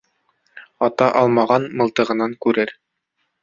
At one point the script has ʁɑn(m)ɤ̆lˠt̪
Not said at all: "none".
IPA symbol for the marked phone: m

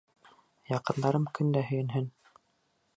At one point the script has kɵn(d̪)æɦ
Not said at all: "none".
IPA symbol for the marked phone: d̪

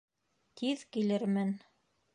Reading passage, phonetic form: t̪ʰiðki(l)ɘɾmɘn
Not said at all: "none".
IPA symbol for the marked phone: l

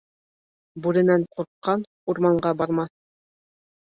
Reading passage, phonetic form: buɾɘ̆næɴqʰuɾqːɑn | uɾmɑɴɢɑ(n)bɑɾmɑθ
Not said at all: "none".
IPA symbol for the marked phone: none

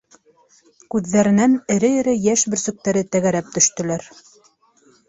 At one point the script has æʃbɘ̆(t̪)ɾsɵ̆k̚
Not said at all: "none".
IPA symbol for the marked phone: none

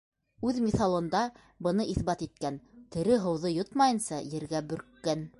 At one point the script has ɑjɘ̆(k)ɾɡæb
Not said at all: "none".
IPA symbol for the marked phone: none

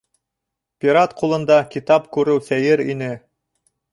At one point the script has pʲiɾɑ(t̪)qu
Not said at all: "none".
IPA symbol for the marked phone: t̪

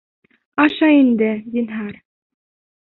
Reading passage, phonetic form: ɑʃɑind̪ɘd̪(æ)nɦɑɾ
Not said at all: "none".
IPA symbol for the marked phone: i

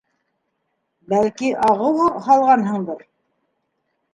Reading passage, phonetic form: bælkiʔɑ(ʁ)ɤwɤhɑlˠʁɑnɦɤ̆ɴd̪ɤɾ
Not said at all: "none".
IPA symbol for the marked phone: ʁ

